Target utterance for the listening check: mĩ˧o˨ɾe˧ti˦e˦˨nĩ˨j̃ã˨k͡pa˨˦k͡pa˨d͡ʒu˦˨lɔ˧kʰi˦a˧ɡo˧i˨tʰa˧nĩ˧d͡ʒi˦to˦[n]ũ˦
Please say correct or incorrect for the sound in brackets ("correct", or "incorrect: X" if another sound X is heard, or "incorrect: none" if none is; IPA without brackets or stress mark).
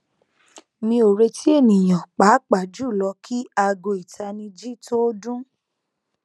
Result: incorrect: d